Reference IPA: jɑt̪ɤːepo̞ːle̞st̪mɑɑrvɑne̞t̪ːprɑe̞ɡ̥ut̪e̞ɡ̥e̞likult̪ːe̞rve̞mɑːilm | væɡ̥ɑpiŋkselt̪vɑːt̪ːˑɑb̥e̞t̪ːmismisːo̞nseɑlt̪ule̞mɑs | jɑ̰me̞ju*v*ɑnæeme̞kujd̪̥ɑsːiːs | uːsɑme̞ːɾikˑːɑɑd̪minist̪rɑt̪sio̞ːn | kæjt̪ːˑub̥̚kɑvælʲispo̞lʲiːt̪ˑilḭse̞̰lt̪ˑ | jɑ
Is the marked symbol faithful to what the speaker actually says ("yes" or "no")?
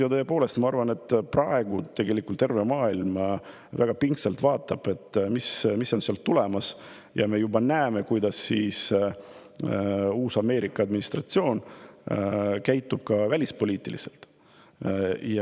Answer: no